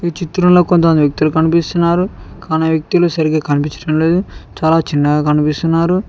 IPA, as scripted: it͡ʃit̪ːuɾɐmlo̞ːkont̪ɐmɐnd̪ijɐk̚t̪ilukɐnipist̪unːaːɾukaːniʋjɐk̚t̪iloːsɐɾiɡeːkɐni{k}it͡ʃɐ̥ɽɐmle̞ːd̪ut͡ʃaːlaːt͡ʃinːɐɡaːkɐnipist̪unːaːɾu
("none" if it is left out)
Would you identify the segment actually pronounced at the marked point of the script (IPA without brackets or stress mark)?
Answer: p